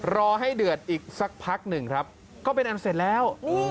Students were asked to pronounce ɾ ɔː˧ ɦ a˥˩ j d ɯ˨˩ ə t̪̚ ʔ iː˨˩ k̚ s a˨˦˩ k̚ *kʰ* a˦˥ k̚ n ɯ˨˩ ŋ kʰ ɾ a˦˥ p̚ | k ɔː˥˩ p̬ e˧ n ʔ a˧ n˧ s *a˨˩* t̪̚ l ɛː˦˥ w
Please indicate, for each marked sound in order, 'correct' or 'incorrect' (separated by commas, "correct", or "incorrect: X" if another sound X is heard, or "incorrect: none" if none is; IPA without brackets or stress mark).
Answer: incorrect: pʰ, incorrect: e˨˩